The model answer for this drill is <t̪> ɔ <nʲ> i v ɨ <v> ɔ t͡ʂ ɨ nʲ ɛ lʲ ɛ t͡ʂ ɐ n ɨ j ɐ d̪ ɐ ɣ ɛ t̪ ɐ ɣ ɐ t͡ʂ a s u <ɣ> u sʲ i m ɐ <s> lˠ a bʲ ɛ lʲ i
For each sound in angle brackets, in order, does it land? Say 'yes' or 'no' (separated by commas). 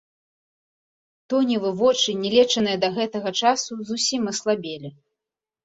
yes, yes, yes, no, yes